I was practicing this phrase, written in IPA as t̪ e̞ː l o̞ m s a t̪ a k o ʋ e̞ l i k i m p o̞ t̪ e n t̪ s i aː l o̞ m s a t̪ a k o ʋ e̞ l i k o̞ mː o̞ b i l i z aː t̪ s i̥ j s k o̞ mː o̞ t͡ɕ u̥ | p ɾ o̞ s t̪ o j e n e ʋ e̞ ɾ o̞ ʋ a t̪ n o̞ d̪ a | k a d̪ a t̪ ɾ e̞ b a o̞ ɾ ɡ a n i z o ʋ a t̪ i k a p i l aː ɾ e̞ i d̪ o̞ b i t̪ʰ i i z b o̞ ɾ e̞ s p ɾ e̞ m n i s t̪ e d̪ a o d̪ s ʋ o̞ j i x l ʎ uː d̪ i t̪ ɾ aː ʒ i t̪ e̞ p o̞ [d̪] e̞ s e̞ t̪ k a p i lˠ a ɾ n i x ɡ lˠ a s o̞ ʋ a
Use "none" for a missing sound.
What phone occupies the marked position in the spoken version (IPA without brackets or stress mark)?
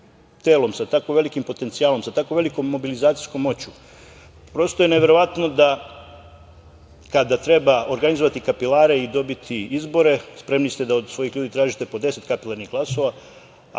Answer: d̪